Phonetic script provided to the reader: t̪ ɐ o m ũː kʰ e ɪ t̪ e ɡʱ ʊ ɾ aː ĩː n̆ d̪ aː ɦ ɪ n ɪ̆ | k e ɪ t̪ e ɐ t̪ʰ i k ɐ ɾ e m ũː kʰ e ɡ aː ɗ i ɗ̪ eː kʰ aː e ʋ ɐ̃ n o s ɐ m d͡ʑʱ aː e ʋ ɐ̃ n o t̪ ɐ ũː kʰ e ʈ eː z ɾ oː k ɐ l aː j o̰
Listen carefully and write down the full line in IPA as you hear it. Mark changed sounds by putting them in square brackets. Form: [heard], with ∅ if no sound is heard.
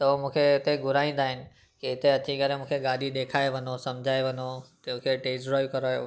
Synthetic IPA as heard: t̪ ɐ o m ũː kʰ e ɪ t̪ e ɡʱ ʊ ɾ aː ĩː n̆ d̪ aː ɦ ɪ n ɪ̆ | k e ɪ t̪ e ɐ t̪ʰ i k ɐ ɾ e m ũː kʰ e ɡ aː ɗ i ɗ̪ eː kʰ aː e ʋ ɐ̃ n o s ɐ m d͡ʑʱ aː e ʋ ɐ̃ n o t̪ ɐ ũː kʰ e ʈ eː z ɾ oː k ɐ [ɾ] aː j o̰